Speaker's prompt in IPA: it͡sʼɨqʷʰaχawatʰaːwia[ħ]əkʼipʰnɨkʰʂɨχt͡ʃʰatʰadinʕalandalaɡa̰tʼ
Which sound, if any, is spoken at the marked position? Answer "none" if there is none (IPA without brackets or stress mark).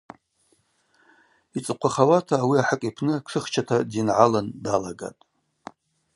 ħ